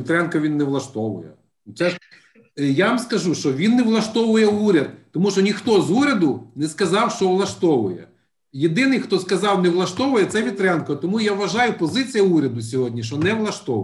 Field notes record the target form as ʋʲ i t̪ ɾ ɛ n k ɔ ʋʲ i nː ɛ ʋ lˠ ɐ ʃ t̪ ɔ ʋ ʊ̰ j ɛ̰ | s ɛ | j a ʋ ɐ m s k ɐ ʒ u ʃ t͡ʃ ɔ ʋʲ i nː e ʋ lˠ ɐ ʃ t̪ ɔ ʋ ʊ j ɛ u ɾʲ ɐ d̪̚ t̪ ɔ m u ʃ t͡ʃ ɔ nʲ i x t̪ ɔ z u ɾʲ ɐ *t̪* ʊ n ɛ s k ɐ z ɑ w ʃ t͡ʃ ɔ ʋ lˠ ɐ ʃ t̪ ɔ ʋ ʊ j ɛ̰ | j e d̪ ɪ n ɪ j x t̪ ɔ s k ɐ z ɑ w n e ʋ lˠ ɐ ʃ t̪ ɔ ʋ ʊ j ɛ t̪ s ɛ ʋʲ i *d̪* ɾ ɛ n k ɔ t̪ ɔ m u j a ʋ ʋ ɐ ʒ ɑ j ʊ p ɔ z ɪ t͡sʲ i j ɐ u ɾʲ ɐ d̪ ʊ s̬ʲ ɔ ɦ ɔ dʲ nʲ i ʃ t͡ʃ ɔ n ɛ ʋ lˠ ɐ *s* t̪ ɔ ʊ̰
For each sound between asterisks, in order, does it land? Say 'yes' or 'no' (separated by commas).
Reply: no, no, no